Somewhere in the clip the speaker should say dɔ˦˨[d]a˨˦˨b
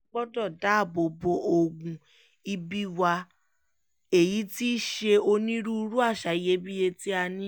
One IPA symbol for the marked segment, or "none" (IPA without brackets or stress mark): d